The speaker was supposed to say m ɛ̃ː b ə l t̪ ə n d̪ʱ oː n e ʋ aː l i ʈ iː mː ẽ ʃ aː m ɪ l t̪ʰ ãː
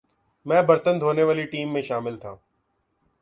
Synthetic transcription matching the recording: m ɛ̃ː b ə ɾ t̪ ə n d̪ʱ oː n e ʋ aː l i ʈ iː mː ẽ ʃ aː m ɪ l t̪ʰ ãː